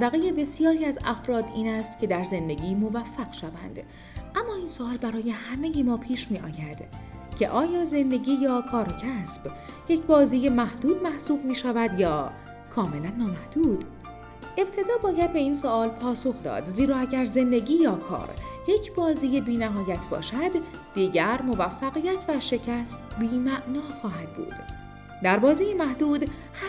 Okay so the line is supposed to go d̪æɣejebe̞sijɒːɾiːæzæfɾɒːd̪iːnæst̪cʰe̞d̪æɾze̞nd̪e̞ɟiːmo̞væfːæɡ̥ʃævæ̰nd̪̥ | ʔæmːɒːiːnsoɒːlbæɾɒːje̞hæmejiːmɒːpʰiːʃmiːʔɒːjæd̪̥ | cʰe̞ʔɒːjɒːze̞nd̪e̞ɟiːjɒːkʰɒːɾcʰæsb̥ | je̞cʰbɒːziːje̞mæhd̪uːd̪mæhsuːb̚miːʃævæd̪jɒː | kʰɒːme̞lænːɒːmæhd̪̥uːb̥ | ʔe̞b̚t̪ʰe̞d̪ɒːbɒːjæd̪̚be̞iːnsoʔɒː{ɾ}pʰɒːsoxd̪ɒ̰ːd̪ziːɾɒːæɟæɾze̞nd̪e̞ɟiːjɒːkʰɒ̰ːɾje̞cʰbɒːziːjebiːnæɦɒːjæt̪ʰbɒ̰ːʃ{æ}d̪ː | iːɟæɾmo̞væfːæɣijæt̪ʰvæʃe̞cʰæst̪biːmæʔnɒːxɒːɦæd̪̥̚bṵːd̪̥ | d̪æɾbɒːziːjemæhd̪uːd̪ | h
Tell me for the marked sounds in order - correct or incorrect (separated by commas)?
incorrect, correct